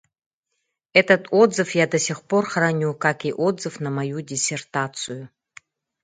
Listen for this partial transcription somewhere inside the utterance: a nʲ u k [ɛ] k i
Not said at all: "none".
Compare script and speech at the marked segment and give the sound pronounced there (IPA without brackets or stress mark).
a